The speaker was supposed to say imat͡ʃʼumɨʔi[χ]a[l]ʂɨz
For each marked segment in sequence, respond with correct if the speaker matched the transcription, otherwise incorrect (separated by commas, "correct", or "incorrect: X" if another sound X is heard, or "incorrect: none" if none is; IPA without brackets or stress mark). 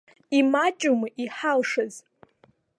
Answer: incorrect: ħ, correct